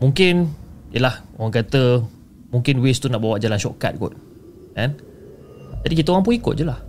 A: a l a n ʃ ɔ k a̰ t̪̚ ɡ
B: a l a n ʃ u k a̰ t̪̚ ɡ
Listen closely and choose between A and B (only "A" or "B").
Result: A